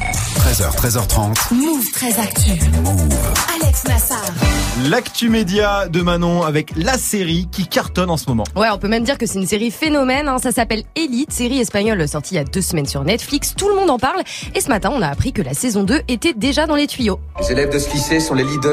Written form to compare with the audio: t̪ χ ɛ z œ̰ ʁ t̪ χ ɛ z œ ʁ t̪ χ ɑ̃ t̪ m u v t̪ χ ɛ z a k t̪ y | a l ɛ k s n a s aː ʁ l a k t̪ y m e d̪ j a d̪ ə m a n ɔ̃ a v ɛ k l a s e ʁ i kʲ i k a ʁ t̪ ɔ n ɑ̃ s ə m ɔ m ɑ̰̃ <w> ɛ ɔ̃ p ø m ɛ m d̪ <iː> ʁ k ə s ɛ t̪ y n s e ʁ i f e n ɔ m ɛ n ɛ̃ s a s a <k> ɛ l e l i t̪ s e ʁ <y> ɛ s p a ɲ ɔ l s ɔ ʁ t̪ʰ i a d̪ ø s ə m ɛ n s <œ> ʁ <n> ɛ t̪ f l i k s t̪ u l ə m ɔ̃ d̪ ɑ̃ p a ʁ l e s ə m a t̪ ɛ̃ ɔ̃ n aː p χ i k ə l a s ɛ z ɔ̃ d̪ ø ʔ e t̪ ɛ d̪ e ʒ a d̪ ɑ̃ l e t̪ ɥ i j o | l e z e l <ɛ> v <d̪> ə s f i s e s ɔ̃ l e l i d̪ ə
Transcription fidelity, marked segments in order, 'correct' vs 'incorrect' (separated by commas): correct, incorrect, incorrect, incorrect, incorrect, correct, correct, correct